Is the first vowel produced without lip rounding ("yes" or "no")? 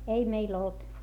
yes